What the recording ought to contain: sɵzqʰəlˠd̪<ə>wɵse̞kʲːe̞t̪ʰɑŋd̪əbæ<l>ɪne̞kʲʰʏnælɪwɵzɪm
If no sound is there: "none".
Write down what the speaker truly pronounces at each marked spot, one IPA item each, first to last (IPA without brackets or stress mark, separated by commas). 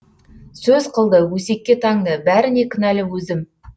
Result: ə, ɾ